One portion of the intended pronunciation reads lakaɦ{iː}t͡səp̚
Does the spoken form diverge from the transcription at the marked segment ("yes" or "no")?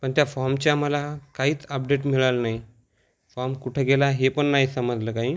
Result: no